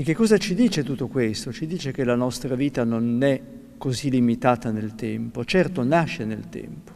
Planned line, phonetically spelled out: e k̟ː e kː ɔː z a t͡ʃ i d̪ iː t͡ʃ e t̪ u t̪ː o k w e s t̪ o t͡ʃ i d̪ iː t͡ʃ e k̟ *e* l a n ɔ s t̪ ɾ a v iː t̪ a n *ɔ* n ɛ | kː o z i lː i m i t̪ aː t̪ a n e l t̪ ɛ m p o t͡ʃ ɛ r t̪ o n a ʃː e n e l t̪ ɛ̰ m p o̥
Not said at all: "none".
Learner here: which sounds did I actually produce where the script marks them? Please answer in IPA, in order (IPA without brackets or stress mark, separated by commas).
e, o